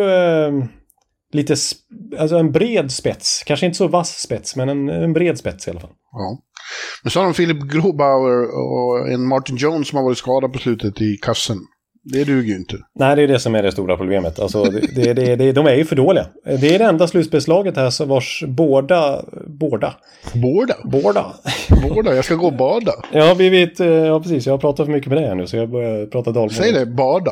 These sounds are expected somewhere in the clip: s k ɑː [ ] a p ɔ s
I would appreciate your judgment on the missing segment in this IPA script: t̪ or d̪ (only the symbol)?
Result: d̪